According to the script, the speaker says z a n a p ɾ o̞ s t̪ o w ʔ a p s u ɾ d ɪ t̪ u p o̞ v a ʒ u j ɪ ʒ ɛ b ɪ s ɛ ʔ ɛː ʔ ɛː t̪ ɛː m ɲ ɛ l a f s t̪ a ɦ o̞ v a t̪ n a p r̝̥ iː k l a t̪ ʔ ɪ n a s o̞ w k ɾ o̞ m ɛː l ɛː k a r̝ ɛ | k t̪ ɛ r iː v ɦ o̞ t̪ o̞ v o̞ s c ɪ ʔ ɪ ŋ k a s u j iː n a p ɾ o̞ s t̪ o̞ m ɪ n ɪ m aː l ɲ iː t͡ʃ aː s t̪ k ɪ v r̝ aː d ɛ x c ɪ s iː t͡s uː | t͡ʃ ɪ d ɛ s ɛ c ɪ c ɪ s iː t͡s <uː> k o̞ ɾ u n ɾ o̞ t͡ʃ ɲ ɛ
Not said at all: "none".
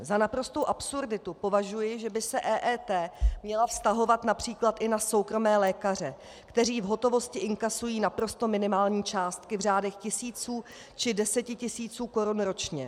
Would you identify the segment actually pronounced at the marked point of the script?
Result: uː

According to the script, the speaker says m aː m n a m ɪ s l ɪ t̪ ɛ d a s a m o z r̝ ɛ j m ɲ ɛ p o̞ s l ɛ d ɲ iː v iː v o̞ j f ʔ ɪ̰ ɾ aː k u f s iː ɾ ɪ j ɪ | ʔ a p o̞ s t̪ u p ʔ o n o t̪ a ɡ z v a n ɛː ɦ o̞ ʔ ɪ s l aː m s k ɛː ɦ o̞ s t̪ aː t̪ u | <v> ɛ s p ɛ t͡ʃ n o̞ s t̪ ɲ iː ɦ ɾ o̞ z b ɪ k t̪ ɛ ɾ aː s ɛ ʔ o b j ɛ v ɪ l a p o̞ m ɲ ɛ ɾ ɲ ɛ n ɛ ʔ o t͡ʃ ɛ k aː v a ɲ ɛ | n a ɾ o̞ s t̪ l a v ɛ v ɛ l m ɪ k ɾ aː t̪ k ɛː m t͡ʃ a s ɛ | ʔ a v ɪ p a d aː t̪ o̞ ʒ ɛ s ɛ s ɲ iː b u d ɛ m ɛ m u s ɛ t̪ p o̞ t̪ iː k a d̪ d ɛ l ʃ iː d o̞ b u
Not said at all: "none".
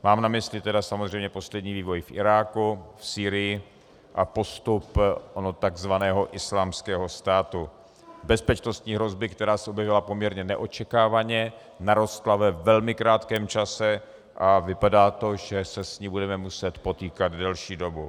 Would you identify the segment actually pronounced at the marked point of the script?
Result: b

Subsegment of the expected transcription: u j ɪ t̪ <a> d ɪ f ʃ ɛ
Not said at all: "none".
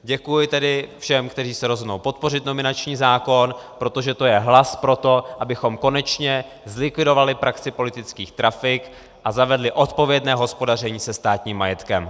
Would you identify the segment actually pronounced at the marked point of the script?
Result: ɛ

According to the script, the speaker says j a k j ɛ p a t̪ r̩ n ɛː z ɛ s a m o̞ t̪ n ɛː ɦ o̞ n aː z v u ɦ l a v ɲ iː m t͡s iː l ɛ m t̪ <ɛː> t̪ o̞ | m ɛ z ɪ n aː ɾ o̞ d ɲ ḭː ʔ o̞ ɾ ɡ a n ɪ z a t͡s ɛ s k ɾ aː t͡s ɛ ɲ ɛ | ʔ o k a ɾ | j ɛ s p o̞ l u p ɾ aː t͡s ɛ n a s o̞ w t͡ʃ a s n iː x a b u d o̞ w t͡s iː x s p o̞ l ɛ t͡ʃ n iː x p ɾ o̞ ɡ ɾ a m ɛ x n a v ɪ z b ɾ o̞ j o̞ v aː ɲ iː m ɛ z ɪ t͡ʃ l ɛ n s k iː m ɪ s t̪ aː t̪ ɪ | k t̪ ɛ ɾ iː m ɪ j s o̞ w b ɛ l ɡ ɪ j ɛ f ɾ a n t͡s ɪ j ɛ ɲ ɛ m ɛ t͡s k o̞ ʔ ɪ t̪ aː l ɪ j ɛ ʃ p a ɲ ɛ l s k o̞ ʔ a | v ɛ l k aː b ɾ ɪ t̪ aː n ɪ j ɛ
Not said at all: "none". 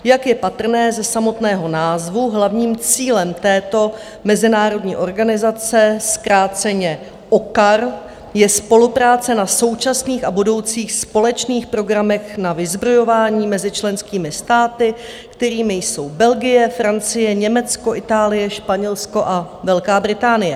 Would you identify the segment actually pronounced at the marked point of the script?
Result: ɛː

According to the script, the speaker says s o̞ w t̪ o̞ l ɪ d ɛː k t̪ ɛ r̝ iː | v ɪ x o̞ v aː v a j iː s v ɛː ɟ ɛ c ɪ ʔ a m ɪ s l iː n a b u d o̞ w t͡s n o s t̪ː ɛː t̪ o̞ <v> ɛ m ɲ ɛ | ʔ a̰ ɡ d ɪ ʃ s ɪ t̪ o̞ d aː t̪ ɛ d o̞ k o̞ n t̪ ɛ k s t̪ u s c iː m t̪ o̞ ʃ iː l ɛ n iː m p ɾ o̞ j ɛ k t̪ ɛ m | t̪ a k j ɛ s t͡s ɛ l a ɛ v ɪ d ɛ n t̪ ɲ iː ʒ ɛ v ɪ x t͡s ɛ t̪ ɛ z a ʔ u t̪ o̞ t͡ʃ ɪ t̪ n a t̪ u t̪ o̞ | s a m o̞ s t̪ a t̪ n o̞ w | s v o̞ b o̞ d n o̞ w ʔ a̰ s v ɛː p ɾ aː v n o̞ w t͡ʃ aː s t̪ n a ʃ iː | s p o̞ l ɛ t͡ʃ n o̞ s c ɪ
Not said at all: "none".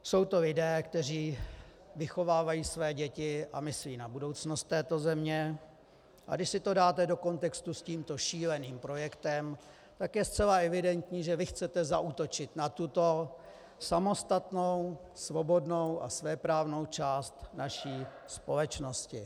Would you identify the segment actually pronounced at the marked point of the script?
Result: z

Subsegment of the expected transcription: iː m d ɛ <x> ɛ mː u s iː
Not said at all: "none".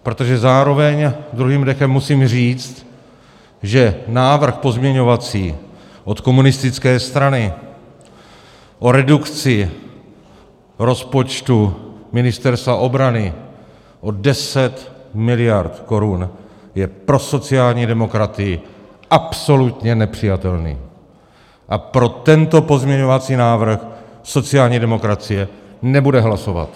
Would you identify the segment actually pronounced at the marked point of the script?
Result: x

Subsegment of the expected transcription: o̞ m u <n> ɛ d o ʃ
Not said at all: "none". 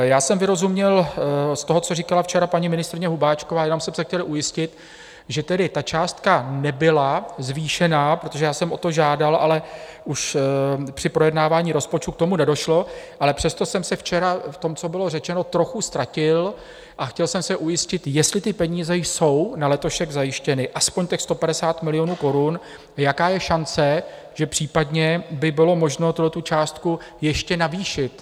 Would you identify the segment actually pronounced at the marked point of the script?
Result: n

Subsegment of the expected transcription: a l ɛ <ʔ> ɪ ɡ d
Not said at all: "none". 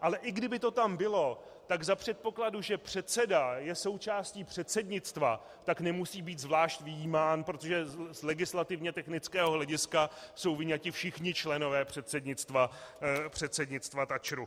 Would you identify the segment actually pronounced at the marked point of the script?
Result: ʔ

